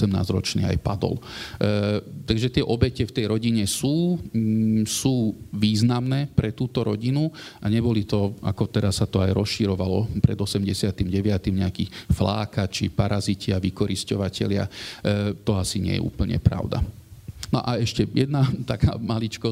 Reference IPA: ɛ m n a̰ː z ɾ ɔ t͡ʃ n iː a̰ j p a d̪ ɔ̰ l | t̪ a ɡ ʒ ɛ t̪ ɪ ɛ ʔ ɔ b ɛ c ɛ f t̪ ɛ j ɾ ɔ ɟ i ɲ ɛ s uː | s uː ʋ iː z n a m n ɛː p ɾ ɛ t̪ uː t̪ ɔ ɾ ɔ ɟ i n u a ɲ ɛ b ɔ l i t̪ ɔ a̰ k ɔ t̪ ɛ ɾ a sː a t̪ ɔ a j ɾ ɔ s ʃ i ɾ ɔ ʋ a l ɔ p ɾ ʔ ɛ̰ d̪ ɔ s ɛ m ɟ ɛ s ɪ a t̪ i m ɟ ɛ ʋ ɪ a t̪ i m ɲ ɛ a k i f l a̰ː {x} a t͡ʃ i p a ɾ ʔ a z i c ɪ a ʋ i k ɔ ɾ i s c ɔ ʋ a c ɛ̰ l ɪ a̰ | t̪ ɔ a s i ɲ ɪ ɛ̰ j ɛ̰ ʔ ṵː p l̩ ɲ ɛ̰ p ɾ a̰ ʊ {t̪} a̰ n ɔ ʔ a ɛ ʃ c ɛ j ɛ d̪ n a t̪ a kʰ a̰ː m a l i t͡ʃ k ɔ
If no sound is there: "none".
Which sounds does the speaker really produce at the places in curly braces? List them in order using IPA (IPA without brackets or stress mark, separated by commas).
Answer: k, d̪